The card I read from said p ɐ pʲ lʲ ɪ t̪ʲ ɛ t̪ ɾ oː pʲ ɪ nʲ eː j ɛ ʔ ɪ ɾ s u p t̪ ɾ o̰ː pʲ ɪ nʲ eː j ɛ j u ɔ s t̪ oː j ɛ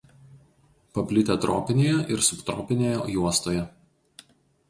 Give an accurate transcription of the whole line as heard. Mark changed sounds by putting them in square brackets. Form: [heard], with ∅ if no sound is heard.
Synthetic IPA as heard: p ɐ pʲ lʲ ɪ t̪ʲ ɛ t̪ ɾ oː pʲ ɪ nʲ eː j ɛ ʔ ɪ ɾ s [ʊ] p t̪ ɾ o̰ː pʲ ɪ nʲ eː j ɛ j u ɔ s t̪ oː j ɛ